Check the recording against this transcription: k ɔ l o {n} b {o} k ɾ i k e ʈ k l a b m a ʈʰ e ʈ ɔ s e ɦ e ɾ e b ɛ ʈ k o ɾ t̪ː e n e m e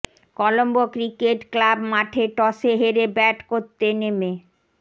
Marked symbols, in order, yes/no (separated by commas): no, yes